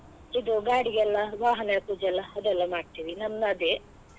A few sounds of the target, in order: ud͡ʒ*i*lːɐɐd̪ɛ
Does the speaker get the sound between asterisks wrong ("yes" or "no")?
yes